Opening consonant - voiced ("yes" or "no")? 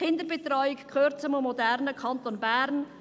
yes